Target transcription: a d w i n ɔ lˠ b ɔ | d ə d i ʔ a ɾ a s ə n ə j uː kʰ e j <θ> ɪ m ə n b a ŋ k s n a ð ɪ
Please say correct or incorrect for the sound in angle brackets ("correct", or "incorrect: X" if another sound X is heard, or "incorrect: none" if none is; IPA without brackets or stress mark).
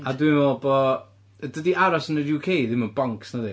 incorrect: ð